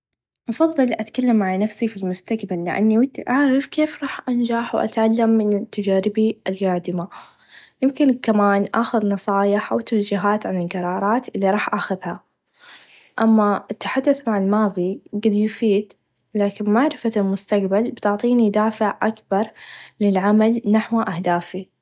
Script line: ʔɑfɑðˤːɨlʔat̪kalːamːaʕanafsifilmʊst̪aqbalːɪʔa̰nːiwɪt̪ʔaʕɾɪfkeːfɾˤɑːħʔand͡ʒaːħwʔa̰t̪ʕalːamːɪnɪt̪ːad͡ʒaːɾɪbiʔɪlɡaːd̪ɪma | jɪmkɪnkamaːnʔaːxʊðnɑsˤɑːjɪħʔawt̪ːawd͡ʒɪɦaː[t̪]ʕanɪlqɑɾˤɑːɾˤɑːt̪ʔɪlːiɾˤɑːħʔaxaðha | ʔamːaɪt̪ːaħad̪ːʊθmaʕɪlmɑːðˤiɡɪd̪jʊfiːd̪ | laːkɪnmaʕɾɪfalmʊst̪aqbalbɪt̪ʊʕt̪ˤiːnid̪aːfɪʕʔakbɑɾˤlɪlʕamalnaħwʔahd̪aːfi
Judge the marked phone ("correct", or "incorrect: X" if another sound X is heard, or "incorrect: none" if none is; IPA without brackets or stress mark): correct